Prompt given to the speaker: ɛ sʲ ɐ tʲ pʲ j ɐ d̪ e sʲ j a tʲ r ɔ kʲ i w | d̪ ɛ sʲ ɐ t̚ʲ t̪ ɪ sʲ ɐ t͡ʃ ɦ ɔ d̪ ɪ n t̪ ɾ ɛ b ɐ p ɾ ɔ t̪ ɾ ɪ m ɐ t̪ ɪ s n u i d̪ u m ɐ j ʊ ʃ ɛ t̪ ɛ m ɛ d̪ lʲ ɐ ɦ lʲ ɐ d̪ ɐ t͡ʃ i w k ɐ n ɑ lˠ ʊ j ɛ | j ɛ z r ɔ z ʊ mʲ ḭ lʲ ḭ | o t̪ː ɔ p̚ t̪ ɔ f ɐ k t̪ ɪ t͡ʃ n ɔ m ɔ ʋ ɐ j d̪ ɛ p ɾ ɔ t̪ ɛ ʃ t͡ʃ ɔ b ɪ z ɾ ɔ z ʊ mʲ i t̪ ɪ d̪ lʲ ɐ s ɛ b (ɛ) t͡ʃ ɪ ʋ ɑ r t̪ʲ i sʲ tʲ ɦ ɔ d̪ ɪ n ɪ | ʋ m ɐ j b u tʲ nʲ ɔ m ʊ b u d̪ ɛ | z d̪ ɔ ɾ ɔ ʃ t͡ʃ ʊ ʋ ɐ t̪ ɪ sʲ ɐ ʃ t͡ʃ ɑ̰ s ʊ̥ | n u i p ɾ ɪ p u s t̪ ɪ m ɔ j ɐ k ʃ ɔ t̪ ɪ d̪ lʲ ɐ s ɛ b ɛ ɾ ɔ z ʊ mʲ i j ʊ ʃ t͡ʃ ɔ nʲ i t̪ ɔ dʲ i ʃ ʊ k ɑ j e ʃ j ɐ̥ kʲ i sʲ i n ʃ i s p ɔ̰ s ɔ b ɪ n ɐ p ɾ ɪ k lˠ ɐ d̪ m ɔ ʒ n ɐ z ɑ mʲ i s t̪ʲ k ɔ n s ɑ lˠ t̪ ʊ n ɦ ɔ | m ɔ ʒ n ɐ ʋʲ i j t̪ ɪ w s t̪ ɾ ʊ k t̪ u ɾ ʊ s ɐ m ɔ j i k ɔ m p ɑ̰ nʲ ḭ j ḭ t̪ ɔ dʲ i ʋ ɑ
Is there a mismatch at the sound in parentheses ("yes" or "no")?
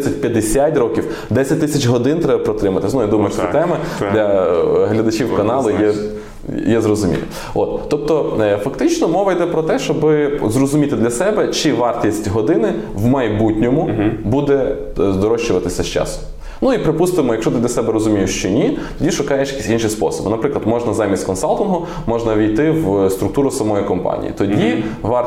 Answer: no